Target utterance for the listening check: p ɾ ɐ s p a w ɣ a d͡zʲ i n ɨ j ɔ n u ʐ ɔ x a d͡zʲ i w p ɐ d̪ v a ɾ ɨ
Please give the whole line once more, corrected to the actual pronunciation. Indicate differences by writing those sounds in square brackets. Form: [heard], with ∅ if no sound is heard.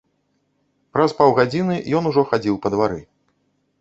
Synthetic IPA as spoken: p ɾ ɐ s p a w ɣ a d͡zʲ i n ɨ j ɔ n u ʐ ɔ x a d͡zʲ i w p ɐ d̪ v a ɾ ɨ